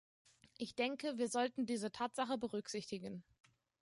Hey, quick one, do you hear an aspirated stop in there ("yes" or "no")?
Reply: yes